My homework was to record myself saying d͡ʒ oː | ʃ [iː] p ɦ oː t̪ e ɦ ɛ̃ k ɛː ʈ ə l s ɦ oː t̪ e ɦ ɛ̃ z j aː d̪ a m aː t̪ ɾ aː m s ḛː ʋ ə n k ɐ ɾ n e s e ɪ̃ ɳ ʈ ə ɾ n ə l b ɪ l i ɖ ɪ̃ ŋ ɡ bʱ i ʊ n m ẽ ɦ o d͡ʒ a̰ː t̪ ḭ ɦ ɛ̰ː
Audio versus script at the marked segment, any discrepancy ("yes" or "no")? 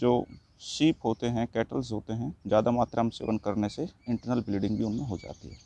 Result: no